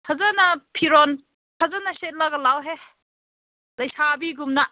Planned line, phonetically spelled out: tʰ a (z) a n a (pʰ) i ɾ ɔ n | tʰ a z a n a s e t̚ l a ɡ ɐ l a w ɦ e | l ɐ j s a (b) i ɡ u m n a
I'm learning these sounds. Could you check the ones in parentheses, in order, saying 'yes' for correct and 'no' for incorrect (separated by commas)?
yes, yes, yes